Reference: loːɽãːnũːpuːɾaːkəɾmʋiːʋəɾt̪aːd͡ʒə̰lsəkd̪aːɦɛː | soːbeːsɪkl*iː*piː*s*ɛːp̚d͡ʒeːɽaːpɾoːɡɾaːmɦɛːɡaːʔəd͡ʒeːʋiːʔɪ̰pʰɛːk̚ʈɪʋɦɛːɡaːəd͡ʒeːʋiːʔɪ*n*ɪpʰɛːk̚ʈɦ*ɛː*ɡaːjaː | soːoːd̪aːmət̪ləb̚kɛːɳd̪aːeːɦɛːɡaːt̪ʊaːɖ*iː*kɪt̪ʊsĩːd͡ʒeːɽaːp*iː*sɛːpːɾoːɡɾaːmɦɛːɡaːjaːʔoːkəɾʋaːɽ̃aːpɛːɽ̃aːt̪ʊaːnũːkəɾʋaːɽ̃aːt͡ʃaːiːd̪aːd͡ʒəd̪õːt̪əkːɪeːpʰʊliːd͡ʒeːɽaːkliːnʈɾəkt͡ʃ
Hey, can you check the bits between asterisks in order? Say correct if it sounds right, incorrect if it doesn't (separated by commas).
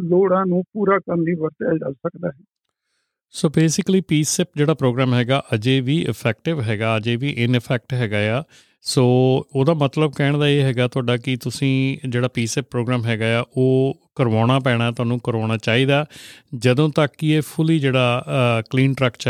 correct, correct, correct, correct, incorrect, correct